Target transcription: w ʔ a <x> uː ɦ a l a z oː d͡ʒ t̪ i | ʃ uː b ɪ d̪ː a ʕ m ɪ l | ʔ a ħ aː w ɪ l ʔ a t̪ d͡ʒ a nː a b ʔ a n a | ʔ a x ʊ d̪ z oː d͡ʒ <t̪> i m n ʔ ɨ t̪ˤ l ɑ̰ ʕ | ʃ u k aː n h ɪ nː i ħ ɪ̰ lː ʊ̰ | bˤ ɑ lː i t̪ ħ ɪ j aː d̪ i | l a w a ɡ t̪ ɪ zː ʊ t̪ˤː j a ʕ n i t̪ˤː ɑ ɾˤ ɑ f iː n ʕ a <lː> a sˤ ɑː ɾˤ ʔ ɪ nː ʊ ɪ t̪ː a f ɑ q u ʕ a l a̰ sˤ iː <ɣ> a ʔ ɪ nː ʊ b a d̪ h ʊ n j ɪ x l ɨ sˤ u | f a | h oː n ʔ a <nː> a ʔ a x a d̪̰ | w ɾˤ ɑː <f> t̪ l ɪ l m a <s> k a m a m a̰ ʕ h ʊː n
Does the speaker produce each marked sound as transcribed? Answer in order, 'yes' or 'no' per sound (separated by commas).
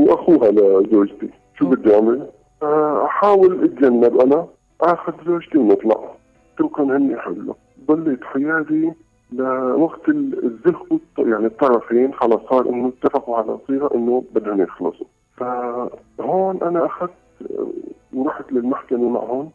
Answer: yes, yes, no, yes, no, no, no